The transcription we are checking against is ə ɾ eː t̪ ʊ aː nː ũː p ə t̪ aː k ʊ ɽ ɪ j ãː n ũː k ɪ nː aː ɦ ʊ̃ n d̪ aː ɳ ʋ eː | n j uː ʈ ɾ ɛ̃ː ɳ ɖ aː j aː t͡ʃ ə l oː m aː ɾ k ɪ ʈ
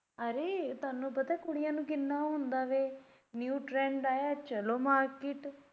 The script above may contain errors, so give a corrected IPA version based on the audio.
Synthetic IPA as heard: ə ɾ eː t̪ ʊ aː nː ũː p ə t̪ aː k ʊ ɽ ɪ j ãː n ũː k ɪ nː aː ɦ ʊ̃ n d̪ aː ʋ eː | n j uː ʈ ɾ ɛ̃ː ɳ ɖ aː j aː t͡ʃ ə l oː m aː ɾ k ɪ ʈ